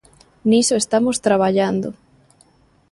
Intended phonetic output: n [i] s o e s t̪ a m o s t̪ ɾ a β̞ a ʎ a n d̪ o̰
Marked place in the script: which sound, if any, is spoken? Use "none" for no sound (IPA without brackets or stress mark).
i